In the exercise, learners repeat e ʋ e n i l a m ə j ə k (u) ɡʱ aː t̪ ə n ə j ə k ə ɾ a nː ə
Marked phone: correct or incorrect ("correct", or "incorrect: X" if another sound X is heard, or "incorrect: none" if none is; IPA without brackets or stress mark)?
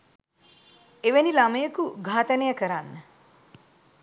correct